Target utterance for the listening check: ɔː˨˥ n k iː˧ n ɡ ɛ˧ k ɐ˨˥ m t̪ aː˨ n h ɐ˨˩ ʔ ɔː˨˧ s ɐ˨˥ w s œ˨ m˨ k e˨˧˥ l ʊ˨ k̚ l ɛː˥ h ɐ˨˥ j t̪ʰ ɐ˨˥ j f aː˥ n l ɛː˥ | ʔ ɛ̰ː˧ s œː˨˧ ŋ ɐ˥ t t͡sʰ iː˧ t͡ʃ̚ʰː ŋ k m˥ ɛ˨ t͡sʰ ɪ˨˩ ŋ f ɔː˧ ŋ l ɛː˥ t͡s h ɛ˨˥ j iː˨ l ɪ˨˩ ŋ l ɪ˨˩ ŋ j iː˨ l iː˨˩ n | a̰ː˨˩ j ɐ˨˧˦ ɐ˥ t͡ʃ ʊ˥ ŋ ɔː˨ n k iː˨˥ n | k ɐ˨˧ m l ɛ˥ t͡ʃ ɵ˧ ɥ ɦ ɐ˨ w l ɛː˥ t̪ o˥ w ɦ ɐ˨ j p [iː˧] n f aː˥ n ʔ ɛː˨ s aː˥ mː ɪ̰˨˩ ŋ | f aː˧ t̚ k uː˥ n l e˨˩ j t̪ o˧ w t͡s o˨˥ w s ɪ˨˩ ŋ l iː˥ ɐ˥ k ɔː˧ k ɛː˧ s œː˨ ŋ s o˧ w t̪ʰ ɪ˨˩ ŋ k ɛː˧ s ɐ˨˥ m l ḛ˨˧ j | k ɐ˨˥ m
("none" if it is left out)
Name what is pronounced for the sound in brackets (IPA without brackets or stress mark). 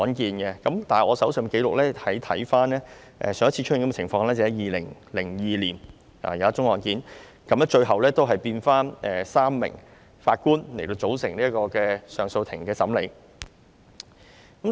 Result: iː˧